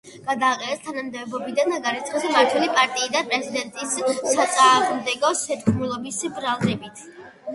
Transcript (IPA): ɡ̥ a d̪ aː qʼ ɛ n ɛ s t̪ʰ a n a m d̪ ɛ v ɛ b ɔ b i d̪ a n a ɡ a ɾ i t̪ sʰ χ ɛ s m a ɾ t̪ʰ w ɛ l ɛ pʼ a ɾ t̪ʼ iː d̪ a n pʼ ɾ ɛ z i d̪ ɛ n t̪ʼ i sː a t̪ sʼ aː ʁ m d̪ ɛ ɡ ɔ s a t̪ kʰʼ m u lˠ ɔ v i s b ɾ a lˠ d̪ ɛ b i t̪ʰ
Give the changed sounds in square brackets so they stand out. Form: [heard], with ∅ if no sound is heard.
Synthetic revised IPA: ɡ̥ a d̪ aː qʼ ɛ n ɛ s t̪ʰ a n a m d̪ ɛ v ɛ b ɔ b i d̪ a n a ɡ a ɾ i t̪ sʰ χ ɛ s m a ɾ t̪ʰ w ɛ l [i] pʼ a ɾ t̪ʼ iː d̪ a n pʼ ɾ ɛ z i d̪ ɛ n t̪ʼ i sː a t̪ sʼ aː ʁ m d̪ ɛ ɡ ɔ s [ɛ] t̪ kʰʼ m u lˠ ɔ [b] i s b ɾ a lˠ d̪ ɛ b i t̪ʰ